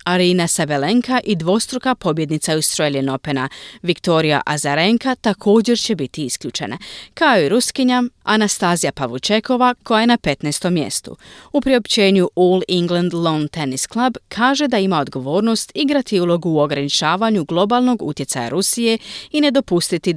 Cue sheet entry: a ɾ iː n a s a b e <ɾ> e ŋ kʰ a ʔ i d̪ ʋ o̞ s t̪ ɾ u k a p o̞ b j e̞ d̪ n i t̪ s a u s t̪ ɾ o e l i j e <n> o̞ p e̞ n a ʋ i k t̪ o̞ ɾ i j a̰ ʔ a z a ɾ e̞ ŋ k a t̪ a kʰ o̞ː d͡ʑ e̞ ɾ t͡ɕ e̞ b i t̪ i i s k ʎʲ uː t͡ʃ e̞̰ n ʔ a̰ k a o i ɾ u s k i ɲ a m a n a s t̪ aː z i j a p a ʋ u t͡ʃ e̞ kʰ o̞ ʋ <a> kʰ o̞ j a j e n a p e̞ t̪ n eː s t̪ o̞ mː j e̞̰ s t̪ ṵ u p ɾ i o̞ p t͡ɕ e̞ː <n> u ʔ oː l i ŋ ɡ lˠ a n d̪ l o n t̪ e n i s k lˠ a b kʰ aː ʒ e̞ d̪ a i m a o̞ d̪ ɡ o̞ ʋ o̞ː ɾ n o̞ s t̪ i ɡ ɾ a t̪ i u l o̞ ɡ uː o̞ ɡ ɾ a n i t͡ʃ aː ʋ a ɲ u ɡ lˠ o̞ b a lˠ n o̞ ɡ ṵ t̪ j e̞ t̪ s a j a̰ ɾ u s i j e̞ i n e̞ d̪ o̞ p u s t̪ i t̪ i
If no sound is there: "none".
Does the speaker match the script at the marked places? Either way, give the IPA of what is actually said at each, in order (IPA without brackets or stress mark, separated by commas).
l, n, a, ɲ